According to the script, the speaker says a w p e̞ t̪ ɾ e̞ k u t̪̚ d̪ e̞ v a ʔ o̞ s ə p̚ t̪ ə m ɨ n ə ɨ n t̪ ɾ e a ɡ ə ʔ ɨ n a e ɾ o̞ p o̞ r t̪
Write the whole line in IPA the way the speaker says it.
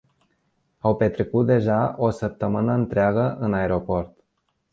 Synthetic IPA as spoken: a w p e̞ t̪ ɾ e̞ k u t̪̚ d̪ e̞ ʒ a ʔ o̞ s ə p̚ t̪ ə m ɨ n ə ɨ n t̪ ɾ e a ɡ ə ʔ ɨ n a e ɾ o̞ p o̞ r t̪